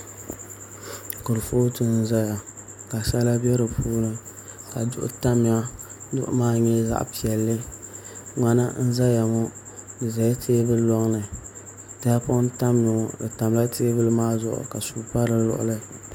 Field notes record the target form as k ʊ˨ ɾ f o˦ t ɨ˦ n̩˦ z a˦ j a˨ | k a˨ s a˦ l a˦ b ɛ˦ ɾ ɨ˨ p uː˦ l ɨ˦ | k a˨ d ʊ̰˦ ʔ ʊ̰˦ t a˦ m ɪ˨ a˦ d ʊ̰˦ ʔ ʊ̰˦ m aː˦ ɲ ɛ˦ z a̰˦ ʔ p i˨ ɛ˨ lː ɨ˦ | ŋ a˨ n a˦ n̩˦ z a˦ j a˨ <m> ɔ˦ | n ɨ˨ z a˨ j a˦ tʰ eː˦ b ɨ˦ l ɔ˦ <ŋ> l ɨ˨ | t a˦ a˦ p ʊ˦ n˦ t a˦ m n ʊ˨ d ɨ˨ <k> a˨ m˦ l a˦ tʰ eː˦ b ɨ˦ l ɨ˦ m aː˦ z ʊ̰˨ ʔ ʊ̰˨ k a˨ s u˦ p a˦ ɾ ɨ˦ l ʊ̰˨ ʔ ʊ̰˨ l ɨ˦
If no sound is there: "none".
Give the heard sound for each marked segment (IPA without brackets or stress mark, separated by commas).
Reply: ŋ, ŋ, t